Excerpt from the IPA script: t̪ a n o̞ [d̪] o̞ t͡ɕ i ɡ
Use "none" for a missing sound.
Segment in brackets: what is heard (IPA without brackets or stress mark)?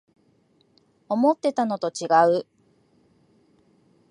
t̪